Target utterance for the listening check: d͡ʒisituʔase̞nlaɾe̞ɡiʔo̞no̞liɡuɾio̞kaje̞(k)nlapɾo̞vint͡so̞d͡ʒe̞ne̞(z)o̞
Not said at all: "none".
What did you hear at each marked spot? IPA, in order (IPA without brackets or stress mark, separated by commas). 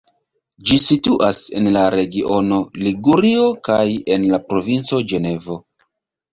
none, v